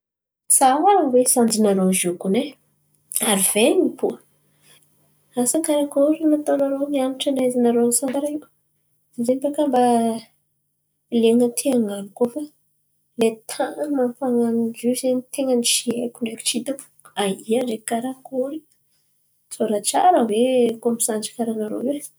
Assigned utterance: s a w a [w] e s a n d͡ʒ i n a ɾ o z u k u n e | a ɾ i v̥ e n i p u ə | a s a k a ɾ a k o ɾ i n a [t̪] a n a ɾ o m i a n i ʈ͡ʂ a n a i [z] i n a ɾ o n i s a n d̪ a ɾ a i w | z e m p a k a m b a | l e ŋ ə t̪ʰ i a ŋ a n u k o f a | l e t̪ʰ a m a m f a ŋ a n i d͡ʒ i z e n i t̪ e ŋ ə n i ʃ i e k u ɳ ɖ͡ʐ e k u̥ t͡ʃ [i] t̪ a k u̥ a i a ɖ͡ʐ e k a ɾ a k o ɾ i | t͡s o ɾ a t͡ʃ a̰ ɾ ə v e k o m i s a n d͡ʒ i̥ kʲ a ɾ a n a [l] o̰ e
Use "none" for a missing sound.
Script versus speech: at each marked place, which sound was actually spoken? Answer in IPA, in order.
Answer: w, t̪, z, i, ɾ

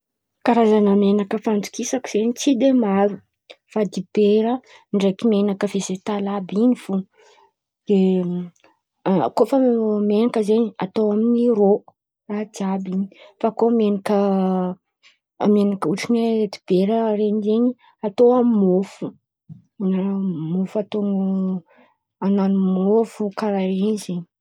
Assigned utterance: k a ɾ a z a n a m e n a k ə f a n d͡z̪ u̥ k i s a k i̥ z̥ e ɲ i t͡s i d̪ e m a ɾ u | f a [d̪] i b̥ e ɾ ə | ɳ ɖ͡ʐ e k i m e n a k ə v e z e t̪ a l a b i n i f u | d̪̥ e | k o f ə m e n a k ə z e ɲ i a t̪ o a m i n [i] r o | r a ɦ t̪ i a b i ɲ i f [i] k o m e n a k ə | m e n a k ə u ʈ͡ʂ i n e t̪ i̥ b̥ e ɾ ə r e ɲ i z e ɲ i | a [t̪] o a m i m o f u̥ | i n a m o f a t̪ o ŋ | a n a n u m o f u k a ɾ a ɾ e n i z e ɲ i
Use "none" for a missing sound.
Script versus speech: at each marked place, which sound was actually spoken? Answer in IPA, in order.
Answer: d̪, i, a, t̪

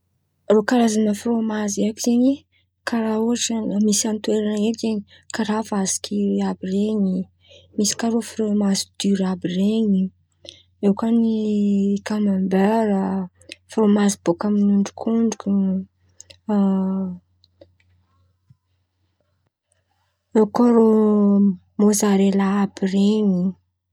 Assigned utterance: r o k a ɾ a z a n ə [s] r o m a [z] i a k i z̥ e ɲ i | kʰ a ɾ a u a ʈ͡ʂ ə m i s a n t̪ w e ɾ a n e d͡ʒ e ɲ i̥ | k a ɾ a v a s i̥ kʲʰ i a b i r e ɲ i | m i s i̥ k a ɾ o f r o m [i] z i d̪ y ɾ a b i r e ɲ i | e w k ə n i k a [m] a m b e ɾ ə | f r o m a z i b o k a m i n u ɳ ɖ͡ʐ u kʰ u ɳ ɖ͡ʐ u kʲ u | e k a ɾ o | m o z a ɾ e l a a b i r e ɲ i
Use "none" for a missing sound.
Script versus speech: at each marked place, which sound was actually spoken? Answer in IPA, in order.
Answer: f, z, a, m

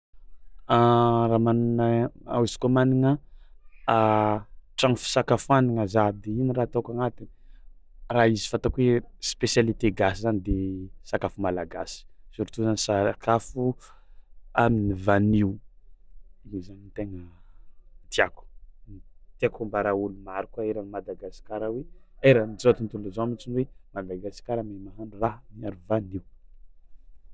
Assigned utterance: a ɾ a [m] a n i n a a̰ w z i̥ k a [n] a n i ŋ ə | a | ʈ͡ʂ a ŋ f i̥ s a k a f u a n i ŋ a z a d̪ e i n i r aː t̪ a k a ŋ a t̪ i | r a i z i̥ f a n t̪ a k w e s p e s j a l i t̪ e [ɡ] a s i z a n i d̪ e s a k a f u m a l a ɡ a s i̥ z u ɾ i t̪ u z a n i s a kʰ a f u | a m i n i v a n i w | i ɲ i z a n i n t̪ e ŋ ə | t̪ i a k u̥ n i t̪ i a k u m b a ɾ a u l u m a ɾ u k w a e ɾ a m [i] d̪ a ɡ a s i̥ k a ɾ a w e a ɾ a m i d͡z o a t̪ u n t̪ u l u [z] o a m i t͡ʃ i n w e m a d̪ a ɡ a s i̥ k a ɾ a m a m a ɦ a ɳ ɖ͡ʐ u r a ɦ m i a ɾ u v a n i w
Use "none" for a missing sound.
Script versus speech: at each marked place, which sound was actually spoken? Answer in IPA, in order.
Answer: m, m, ɡ, a, z

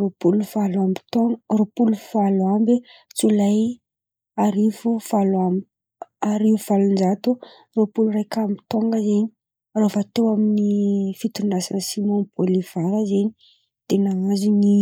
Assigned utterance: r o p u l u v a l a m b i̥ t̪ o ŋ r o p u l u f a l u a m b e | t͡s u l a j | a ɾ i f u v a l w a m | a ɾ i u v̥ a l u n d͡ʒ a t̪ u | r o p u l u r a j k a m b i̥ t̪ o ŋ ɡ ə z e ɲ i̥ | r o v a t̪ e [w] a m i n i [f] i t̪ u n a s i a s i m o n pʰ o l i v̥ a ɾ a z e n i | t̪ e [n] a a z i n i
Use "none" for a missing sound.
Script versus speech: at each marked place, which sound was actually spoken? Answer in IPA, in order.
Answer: w, f, n

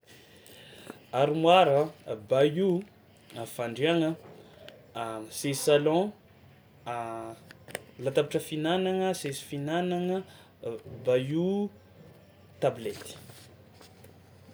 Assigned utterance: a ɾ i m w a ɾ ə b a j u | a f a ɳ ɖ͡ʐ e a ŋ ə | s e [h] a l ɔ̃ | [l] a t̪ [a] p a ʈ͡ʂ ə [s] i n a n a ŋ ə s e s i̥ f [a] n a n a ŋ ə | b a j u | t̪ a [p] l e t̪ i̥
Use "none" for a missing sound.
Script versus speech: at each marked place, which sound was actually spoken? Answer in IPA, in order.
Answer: s, l, a, f, i, b

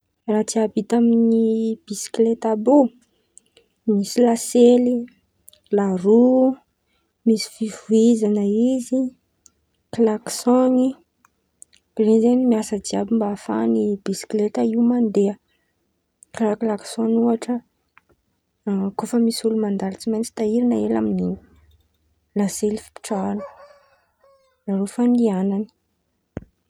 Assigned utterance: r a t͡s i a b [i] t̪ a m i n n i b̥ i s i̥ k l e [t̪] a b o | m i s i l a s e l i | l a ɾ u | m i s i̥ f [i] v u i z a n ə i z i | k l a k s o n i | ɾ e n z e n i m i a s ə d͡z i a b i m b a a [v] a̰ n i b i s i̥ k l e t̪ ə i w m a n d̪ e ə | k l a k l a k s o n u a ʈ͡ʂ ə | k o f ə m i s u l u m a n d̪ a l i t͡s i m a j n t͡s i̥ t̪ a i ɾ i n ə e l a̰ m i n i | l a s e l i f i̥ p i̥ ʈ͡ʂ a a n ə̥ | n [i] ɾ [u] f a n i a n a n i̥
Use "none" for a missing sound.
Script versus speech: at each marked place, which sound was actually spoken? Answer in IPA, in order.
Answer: i, t̪, i, f, a, o

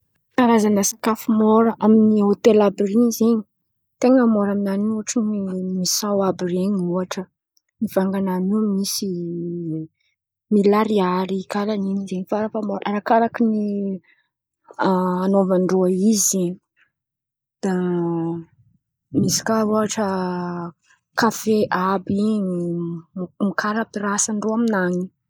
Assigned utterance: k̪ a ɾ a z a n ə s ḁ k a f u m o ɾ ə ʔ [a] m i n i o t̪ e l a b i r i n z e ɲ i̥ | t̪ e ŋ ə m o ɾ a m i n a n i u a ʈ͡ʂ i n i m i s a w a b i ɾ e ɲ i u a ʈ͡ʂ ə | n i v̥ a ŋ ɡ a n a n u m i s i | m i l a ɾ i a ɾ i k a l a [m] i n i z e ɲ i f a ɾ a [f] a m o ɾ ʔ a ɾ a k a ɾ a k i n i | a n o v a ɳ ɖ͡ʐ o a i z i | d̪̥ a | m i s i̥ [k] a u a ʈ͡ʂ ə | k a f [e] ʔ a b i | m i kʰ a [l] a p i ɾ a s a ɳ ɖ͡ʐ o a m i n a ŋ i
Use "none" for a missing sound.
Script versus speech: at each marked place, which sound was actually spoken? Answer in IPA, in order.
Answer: a, n, f, k, e, ɾ

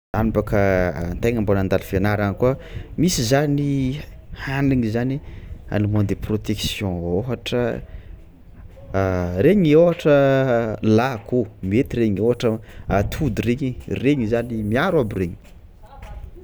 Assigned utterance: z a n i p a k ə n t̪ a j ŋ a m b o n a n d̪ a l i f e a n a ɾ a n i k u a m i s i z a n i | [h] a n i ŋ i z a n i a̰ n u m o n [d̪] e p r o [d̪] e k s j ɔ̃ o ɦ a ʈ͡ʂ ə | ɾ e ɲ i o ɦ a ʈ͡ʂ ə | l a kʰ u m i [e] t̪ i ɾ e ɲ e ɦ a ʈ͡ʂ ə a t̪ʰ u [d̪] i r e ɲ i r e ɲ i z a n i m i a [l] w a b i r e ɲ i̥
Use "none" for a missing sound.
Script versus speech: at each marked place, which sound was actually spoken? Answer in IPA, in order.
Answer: h, d̪, t̪, e, d̪, ɾ

